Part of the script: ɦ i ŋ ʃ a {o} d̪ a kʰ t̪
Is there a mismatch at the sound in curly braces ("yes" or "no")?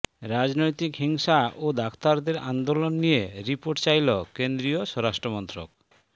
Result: no